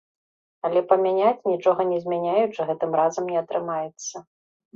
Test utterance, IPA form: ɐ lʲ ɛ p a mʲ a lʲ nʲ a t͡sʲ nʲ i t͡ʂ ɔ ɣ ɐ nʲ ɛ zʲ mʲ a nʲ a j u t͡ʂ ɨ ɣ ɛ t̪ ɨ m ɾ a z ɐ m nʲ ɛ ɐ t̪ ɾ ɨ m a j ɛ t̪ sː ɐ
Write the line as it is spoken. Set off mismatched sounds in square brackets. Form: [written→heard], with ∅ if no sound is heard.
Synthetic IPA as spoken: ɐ lʲ ɛ p [a→ɐ] mʲ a [lʲ→∅] nʲ a t͡sʲ nʲ i t͡ʂ ɔ ɣ ɐ nʲ ɛ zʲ mʲ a nʲ a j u t͡ʂ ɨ ɣ ɛ t̪ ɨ m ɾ a z ɐ m nʲ ɛ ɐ t̪ ɾ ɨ m a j ɛ t̪ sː ɐ